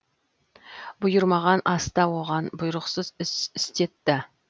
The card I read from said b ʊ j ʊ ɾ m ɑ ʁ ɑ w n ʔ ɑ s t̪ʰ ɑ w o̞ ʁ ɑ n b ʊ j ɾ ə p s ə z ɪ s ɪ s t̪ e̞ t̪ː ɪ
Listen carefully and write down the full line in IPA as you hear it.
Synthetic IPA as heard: b ʊ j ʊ ɾ m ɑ ʁ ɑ n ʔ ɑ s t̪ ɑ w o̞ ʁ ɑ n b ʊ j ɾ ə q s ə z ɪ s ɪ s t̪ e̞ t̪ː ɪ